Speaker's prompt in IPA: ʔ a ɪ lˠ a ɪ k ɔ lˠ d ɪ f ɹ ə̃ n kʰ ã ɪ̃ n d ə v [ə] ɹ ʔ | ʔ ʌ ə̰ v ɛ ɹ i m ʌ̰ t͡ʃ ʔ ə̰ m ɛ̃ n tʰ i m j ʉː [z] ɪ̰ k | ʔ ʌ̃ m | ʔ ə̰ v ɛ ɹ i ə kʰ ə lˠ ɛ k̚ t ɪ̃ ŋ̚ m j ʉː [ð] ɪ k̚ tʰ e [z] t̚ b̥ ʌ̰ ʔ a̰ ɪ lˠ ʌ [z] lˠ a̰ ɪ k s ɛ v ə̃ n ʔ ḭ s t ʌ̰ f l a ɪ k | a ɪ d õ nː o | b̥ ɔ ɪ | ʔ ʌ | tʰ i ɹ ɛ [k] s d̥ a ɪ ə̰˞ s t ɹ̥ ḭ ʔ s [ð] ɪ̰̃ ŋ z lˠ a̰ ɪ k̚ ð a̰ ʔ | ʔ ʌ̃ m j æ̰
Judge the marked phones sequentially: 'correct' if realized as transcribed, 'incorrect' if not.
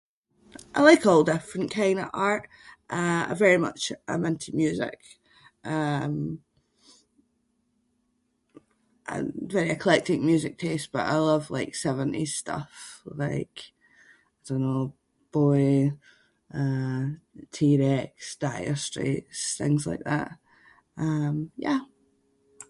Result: incorrect, correct, incorrect, incorrect, incorrect, correct, incorrect

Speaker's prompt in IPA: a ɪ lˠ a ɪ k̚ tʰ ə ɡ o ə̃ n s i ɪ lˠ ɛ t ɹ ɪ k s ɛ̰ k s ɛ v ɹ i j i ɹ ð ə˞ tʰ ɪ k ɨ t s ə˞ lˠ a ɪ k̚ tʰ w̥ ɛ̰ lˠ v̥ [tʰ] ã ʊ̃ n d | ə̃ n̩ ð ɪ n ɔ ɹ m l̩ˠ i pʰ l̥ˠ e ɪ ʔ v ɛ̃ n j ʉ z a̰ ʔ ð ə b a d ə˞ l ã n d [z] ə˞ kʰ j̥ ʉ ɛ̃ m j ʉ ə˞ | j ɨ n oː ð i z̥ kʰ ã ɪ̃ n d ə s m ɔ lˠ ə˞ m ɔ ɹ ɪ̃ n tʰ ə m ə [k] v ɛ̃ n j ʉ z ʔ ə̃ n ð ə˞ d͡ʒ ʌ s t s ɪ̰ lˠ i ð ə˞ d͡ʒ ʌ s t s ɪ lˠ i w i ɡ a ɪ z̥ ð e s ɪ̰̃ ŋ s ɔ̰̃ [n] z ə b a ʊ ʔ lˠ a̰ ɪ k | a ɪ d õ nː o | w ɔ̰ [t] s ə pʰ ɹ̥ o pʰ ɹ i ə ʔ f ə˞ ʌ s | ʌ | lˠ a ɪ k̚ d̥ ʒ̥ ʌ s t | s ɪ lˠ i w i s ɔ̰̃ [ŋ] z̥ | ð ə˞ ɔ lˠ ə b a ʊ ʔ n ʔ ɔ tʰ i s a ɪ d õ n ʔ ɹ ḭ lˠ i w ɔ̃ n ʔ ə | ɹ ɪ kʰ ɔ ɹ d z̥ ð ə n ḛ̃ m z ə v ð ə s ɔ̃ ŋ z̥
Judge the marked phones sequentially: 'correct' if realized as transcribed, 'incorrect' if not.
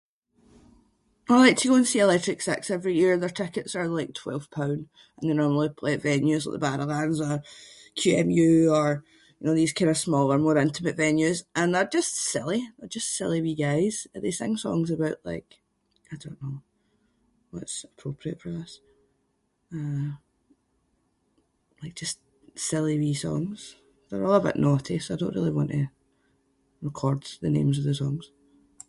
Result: incorrect, correct, incorrect, incorrect, correct, correct

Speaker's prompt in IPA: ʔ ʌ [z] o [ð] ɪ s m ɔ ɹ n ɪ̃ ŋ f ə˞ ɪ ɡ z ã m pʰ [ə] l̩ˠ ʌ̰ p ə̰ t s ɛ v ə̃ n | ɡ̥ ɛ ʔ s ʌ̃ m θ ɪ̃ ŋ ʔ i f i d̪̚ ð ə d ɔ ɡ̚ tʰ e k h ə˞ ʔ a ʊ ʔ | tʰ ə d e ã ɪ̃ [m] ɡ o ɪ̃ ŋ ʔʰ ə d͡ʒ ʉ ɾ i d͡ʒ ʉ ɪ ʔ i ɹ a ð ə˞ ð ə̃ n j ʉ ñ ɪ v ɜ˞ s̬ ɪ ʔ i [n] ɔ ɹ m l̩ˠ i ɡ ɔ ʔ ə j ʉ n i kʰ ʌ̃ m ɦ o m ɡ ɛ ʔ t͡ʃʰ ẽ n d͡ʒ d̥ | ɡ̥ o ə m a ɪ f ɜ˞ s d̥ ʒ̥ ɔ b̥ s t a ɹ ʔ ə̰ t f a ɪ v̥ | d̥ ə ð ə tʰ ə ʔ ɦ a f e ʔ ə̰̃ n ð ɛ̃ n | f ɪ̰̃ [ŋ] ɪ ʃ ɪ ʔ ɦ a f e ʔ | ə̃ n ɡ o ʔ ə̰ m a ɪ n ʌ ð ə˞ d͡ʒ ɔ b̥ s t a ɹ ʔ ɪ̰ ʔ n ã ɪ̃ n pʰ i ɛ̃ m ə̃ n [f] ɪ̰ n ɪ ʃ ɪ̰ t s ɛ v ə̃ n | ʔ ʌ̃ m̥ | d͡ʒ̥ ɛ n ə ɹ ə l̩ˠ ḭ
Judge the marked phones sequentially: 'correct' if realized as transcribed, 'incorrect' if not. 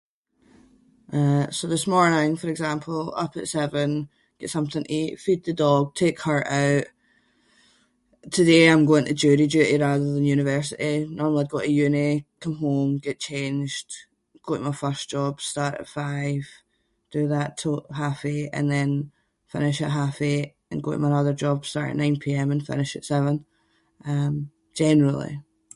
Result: incorrect, correct, correct, correct, correct, incorrect, correct

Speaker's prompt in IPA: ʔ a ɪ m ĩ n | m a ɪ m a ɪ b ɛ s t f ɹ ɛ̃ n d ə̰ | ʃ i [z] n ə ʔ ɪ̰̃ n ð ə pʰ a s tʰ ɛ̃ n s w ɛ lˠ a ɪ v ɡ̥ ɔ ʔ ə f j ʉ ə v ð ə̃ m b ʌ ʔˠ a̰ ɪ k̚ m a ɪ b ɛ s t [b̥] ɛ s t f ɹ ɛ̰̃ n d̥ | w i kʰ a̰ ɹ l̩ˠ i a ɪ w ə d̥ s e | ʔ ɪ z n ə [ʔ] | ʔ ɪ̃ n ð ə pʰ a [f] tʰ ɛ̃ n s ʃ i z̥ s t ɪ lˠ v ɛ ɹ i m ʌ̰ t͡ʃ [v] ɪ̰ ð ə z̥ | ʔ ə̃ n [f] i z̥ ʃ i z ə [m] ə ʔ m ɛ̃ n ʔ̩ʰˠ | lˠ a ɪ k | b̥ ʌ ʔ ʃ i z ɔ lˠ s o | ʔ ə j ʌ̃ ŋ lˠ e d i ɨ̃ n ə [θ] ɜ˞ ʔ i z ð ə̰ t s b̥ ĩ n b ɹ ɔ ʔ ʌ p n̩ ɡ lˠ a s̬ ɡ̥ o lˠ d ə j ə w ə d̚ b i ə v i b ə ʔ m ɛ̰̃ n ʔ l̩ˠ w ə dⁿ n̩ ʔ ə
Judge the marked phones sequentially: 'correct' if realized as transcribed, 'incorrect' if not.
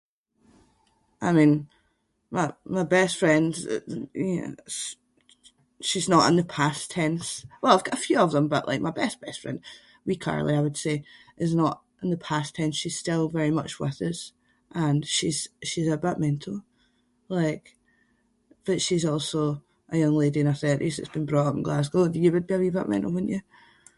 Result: correct, correct, correct, incorrect, incorrect, incorrect, incorrect, correct

